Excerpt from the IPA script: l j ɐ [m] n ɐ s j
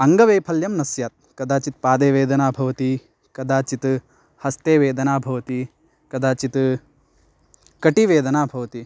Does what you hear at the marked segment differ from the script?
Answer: no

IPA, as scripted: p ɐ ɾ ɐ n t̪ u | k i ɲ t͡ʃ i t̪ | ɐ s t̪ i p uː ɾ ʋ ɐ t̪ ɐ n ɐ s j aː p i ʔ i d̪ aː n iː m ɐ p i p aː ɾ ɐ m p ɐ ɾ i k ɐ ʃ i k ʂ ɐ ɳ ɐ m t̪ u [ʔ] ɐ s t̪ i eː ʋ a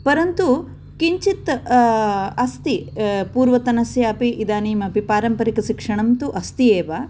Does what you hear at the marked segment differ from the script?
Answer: no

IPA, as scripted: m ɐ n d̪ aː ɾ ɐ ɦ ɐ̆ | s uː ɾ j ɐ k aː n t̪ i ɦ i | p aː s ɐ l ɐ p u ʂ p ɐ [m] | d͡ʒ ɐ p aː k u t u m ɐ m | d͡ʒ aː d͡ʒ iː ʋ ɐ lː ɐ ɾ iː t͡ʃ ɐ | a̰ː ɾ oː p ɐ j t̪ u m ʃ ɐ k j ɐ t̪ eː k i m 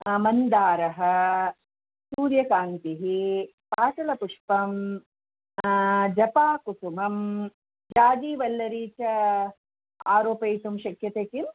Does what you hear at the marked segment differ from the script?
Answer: no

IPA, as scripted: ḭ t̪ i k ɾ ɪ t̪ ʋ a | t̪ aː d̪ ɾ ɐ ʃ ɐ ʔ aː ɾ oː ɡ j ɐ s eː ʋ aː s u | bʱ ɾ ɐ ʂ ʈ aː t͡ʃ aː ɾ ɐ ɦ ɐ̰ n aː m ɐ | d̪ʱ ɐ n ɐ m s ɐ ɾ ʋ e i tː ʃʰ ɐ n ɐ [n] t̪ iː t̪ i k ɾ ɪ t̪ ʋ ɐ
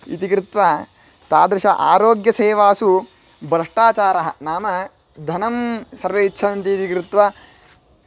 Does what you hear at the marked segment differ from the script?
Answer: no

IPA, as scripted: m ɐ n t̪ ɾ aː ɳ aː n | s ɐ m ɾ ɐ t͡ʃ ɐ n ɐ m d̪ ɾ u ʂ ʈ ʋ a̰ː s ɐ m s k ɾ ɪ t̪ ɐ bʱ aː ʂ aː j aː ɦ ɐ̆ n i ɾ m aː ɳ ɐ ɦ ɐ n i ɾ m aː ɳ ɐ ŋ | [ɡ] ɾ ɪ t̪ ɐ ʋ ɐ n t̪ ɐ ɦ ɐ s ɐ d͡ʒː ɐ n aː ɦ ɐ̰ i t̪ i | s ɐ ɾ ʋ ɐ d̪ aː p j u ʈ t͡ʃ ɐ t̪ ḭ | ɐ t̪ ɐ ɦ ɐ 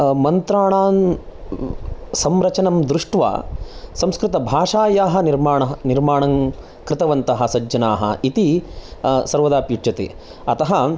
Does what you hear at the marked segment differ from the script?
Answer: yes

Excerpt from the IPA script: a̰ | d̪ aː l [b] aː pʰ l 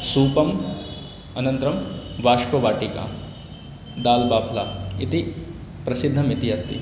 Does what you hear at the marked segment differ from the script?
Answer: no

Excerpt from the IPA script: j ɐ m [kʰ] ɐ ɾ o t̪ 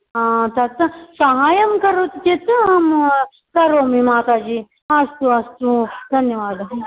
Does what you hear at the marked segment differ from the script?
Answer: yes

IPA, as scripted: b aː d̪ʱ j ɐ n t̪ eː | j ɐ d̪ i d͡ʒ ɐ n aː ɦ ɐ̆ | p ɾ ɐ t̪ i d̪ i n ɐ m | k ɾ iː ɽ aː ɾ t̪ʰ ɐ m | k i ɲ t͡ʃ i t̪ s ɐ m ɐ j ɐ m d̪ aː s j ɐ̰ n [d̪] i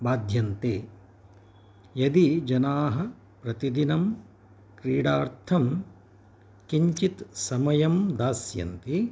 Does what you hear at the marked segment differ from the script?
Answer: yes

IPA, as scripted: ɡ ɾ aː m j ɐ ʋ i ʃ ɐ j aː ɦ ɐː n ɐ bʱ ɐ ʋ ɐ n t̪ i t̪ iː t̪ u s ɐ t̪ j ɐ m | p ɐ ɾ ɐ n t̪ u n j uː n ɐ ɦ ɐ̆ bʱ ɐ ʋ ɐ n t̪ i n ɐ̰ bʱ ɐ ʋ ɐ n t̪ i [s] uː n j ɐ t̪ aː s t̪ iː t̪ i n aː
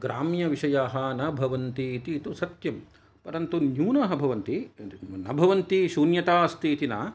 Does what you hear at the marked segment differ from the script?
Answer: yes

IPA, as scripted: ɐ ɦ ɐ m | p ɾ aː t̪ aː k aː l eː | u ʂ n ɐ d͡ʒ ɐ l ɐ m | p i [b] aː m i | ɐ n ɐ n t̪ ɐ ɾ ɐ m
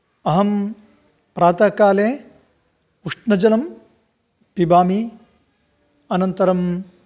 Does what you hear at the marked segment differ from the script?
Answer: no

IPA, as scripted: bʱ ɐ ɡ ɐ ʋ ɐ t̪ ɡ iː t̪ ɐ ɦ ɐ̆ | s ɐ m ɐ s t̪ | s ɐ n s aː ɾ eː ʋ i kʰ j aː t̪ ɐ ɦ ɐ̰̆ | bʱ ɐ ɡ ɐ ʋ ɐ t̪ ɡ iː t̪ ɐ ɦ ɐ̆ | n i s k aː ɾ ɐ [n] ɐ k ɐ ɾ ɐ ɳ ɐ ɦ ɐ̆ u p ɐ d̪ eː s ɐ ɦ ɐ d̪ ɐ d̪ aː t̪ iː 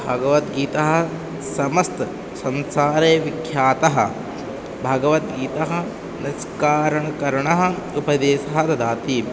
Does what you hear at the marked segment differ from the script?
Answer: yes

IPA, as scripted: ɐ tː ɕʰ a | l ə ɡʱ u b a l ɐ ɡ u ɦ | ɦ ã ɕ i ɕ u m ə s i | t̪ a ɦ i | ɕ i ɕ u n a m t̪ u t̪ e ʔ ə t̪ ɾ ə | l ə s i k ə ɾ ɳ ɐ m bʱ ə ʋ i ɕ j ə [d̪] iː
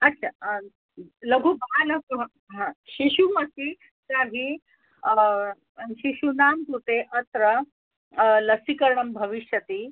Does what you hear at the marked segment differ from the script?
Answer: yes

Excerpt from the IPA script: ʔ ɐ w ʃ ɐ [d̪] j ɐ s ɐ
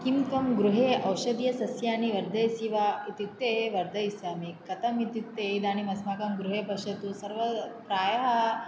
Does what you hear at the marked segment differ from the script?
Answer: no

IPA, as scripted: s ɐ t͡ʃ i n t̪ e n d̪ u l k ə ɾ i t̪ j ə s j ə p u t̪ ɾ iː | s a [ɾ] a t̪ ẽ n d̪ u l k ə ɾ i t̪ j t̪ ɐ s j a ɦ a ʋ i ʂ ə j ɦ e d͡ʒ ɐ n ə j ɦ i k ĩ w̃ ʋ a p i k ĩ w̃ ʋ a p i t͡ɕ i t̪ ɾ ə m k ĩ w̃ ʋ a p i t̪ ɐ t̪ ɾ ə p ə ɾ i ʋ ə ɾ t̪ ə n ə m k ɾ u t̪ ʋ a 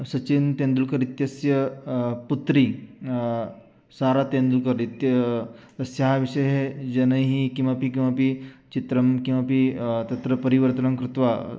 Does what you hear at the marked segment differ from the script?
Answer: no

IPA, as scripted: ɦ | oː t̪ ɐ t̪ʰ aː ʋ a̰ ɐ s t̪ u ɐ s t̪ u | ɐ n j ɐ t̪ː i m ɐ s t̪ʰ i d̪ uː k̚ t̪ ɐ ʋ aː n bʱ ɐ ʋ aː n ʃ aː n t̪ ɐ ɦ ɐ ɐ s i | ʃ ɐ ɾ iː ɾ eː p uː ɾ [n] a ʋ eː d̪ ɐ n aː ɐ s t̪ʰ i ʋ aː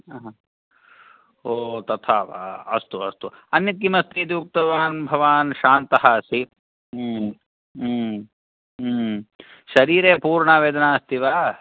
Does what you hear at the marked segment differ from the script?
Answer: yes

